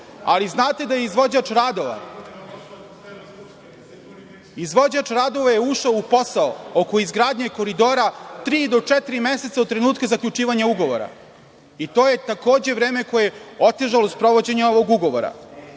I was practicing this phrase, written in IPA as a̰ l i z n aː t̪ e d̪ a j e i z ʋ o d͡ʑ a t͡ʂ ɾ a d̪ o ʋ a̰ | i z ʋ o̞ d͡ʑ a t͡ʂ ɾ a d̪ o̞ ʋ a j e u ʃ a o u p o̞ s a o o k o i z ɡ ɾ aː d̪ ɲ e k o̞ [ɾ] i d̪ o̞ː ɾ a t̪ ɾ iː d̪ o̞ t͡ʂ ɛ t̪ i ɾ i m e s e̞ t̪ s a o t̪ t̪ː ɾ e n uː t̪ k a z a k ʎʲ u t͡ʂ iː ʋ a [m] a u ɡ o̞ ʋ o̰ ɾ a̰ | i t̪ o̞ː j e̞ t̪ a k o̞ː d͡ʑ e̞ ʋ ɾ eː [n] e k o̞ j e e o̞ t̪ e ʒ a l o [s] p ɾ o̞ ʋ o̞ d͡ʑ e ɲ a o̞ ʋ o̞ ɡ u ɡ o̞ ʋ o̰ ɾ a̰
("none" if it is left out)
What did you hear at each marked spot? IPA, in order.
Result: ɾ, ɲ, m, s

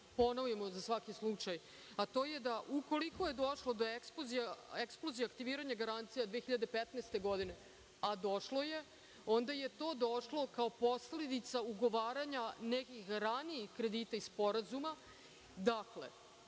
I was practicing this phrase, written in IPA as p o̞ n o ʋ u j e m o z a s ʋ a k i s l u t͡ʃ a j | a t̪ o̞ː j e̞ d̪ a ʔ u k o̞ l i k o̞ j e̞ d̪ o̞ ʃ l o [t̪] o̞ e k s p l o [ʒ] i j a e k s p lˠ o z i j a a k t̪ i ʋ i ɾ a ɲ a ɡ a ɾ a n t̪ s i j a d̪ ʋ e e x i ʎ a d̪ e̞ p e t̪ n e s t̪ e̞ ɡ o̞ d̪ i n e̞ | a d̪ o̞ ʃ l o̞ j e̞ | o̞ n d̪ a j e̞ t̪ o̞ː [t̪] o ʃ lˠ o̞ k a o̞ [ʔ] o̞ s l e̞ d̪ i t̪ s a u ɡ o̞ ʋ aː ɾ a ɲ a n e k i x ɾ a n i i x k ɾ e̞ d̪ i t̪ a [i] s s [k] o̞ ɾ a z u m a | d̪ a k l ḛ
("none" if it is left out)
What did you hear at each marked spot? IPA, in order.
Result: d̪, z, d̪, p, i, p

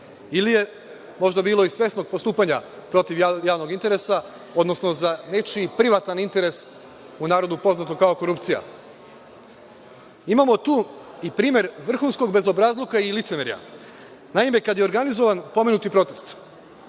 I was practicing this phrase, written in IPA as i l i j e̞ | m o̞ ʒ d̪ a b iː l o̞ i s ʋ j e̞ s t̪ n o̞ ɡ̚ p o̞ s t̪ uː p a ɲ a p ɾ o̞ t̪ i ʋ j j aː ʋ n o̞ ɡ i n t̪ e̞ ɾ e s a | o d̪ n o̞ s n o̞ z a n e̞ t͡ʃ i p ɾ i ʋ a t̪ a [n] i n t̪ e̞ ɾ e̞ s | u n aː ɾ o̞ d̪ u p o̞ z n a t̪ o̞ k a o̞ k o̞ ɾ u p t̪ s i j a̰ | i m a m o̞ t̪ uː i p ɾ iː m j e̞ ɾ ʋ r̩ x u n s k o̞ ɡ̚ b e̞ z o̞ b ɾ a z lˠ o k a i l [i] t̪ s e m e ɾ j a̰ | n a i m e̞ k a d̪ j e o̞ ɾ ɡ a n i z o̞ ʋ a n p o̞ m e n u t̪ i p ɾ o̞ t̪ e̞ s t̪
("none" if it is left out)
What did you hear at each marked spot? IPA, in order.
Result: n, i

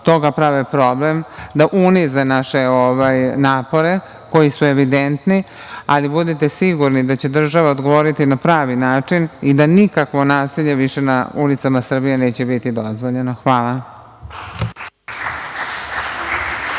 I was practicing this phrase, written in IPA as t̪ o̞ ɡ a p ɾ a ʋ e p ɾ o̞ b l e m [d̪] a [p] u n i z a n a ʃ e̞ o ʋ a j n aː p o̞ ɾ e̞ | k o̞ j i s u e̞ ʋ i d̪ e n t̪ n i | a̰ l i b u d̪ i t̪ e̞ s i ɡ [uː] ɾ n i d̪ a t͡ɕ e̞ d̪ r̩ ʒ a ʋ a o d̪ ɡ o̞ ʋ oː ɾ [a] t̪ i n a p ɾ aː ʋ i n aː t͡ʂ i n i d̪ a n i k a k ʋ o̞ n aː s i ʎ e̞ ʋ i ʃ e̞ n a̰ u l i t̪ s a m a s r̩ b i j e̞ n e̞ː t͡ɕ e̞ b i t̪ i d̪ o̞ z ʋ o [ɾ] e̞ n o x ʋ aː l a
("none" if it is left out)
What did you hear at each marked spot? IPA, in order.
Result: d̪, ʔ, u, i, ʎ

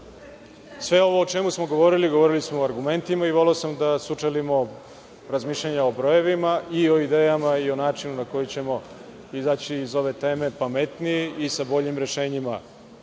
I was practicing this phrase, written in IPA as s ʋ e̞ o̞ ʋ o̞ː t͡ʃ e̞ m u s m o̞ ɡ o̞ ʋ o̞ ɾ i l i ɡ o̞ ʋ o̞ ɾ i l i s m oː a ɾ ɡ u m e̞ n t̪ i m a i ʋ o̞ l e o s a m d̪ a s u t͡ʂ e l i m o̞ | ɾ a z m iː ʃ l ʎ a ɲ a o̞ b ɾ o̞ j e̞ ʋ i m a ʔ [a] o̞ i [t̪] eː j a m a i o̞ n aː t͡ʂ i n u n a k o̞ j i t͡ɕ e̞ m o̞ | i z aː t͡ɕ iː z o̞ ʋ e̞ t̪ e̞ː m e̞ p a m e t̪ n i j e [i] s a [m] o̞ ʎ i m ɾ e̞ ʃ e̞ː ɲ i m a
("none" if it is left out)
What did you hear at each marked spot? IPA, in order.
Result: i, d̪, i, b

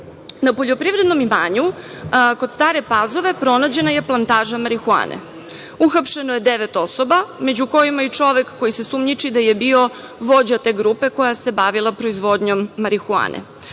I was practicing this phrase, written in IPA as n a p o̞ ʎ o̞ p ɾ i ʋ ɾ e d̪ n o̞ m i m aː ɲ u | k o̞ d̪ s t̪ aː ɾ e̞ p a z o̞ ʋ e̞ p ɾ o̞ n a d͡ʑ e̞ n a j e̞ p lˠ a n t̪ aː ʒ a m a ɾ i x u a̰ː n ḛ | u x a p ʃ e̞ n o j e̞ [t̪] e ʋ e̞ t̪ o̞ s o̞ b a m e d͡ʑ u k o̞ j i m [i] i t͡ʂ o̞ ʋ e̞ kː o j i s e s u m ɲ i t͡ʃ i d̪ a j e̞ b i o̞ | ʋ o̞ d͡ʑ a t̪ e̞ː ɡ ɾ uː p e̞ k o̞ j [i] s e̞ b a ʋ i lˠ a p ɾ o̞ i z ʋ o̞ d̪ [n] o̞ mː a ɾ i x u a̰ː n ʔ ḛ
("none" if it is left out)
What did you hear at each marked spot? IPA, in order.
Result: d̪, a, a, ɲ

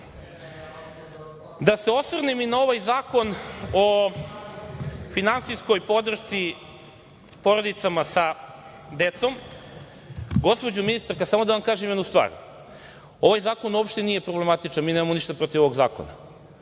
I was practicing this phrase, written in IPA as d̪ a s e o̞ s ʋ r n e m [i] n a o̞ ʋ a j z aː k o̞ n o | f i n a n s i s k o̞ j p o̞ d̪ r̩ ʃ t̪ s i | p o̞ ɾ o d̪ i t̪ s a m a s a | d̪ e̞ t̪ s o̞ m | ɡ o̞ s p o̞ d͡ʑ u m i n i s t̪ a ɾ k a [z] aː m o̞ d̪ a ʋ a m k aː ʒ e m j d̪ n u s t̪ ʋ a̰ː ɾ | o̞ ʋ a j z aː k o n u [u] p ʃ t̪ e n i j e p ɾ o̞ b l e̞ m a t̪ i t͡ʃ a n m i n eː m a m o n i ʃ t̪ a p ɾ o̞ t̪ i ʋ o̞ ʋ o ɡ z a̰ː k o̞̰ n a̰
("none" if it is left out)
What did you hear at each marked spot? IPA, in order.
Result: i, s, o

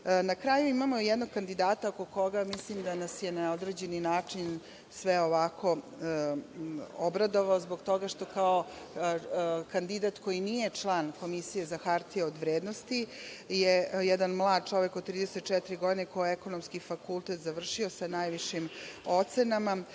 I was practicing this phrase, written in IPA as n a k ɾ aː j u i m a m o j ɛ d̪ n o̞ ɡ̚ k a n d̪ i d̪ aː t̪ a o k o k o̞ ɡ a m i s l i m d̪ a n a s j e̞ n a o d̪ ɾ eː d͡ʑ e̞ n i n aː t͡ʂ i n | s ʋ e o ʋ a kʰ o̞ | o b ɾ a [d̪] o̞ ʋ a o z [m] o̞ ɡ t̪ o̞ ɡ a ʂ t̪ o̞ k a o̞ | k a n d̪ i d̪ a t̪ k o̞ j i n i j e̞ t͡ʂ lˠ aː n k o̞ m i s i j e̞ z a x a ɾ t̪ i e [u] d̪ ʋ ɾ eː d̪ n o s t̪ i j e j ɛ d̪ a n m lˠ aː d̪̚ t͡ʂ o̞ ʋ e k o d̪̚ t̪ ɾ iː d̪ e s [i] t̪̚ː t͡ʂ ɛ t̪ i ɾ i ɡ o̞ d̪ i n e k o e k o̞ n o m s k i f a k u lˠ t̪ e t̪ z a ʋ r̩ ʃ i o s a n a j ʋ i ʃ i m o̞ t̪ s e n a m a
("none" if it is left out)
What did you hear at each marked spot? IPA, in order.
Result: d̪, b, o, e

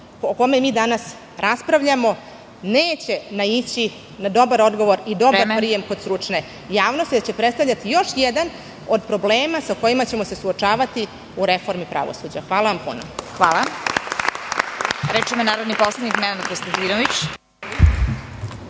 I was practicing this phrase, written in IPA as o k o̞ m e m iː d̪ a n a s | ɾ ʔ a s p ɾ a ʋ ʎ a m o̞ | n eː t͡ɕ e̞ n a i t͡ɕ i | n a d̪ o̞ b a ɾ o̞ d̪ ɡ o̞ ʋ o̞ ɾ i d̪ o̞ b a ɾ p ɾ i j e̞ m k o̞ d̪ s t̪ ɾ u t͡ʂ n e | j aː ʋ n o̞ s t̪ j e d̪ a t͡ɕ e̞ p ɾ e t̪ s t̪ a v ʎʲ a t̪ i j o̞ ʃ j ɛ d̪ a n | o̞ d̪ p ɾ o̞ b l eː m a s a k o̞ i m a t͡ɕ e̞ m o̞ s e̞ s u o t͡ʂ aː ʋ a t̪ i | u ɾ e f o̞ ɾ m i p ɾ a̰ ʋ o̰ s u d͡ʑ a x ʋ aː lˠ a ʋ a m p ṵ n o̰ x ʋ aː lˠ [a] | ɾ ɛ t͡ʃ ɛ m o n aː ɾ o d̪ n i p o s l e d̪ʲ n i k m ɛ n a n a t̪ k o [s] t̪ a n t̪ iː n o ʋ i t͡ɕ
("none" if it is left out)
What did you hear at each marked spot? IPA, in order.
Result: a, s

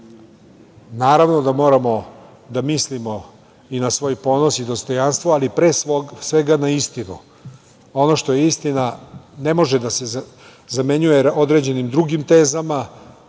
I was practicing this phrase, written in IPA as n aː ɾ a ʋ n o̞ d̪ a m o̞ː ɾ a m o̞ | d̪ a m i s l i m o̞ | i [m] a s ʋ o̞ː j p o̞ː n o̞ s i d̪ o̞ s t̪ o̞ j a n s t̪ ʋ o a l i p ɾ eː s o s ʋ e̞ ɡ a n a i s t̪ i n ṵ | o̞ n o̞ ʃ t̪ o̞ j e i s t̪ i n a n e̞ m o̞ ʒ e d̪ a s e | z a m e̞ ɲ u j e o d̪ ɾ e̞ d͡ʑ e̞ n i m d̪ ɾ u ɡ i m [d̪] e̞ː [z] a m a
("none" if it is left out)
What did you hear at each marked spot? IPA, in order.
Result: n, t̪, z

